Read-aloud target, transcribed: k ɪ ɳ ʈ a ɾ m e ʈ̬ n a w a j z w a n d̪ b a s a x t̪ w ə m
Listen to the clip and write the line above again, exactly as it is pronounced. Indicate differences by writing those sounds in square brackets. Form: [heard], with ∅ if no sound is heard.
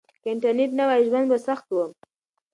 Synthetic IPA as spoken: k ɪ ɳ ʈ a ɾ [n] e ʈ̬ n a w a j [ʒ] w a n d̪ b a s a x t̪ w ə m